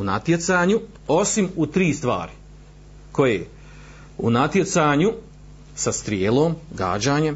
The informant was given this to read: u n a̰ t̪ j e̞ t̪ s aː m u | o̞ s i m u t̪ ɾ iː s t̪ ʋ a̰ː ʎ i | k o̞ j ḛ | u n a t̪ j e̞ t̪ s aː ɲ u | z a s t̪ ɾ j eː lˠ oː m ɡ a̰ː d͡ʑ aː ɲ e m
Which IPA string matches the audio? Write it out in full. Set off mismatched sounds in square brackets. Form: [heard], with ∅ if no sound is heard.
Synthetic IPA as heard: u n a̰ t̪ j e̞ t̪ s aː [ɲ] u | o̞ s i m u t̪ ɾ iː s t̪ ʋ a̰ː [ɾ] i | k o̞ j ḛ | u n a t̪ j e̞ t̪ s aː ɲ u | [s] a s t̪ ɾ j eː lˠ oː m ɡ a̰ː d͡ʑ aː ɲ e m